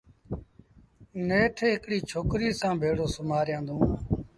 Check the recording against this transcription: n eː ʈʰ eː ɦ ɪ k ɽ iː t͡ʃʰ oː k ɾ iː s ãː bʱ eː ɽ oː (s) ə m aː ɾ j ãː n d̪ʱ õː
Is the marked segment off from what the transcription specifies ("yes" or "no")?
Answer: no